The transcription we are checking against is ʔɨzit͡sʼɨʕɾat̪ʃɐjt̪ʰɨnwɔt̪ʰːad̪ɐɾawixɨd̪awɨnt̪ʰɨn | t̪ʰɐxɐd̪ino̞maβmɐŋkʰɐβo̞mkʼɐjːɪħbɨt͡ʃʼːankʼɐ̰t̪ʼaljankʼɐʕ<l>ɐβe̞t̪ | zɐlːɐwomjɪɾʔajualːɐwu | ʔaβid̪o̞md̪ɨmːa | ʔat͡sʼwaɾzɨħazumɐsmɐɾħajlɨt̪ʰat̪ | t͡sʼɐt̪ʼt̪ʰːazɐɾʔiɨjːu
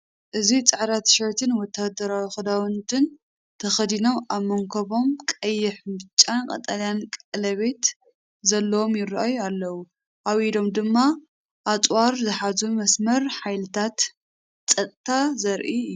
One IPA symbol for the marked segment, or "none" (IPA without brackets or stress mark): l